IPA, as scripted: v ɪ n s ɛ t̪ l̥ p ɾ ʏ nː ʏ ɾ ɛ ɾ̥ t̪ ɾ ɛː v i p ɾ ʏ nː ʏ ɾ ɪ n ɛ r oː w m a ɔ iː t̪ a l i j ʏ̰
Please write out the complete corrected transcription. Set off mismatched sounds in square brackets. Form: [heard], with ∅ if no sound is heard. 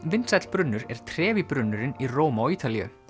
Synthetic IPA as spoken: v ɪ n s ɛ t̪ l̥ p ɾ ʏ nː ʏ ɾ ɛ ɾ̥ [t̪ʰ] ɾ ɛː v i p ɾ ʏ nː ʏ ɾ ɪ n [i] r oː w m a ɔ iː t̪ a l i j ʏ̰